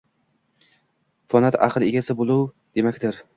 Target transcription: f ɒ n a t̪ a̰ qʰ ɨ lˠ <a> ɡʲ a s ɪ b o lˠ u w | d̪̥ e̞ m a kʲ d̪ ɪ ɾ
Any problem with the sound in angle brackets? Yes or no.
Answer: yes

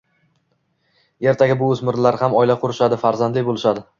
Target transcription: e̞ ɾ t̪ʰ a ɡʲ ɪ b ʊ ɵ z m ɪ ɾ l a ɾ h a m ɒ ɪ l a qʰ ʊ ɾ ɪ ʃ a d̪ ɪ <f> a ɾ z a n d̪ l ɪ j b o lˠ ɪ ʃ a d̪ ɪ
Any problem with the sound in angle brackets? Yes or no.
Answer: no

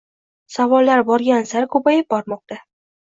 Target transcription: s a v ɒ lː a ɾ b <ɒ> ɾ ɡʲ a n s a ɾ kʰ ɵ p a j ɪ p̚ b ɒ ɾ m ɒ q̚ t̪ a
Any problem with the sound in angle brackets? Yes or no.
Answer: no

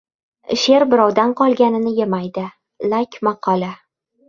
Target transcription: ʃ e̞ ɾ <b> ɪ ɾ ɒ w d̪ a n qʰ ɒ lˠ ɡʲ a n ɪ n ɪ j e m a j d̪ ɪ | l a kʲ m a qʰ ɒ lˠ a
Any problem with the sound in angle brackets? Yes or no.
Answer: no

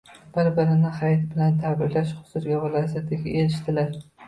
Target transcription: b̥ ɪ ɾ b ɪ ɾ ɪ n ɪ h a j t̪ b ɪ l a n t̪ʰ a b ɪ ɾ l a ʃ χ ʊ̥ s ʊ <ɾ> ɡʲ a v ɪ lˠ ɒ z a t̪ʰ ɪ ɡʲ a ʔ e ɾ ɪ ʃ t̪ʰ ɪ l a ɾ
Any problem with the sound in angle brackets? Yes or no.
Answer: no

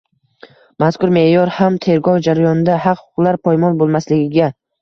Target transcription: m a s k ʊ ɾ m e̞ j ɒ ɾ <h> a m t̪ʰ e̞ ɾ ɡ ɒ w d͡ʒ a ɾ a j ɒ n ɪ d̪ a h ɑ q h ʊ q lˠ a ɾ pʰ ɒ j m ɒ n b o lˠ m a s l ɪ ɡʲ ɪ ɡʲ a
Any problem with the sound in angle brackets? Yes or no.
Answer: no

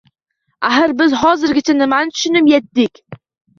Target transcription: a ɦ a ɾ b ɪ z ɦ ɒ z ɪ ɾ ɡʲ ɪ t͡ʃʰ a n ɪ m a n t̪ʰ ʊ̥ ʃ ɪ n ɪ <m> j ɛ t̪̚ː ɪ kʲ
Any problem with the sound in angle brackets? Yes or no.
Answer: no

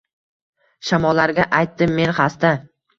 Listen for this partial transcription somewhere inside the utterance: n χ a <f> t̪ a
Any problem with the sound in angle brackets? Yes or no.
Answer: yes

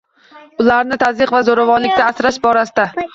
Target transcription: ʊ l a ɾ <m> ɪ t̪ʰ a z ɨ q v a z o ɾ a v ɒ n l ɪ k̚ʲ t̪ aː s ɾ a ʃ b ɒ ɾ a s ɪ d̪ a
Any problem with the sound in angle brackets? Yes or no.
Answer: yes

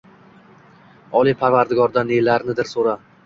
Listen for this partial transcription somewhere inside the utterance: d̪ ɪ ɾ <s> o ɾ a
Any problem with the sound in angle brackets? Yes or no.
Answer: no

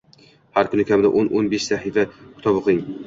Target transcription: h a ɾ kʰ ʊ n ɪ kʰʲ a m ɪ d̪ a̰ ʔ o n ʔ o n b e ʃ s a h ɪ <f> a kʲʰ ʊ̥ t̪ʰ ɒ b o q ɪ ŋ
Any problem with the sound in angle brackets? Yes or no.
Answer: no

